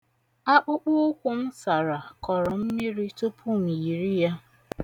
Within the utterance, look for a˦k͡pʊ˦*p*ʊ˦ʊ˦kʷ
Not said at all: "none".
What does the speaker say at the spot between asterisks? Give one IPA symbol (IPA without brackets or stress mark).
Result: k͡p